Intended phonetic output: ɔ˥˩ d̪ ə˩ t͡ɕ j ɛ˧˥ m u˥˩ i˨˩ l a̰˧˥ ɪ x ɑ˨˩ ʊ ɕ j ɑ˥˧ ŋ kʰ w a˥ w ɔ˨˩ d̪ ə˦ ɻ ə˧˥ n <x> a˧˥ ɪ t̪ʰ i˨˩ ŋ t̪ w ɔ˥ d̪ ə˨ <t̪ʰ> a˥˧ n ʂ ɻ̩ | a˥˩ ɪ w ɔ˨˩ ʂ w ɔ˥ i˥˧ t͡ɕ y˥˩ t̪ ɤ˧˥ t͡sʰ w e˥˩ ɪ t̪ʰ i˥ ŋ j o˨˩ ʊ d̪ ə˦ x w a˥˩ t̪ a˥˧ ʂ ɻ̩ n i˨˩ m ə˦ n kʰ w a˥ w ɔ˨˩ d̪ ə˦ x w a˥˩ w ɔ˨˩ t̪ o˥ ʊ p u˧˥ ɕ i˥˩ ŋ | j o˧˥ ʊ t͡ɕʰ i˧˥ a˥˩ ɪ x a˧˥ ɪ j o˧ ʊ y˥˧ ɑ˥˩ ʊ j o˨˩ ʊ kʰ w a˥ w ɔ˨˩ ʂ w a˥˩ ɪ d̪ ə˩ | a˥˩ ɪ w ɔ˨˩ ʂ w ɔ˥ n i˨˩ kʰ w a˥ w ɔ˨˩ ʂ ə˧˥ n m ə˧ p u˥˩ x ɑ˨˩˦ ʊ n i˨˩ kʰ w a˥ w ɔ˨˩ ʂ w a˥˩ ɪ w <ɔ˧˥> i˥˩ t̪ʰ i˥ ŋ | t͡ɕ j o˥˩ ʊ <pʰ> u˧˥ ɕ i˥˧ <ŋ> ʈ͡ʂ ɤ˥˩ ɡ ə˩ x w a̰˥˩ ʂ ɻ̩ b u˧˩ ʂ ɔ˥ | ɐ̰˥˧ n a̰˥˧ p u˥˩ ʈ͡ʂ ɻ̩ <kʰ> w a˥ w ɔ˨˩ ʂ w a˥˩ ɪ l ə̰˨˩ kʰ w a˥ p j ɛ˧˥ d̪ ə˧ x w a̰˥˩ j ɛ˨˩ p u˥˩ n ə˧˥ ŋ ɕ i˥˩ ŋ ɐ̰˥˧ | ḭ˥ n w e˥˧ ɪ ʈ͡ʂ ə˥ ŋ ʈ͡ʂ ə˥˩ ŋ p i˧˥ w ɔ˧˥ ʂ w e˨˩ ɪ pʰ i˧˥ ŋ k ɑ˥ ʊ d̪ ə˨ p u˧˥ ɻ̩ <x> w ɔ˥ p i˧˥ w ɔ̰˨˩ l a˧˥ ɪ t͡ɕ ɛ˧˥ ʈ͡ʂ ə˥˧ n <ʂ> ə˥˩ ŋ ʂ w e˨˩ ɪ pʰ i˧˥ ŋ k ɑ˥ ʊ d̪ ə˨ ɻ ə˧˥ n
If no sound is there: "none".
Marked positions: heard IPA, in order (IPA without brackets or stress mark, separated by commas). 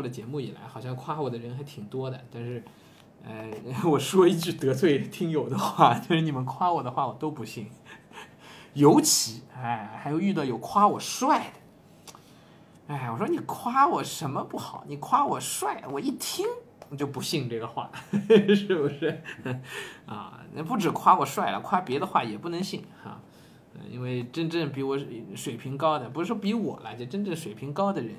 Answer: x, t̪, ɔ˨˩, p, ŋ, kʰ, ʂ, ʈ͡ʂ